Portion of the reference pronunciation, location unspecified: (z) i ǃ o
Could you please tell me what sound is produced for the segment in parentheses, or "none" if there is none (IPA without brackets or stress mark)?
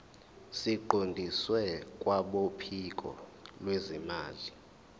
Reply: s